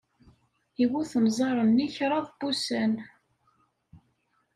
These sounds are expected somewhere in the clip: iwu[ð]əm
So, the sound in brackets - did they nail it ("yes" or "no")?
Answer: no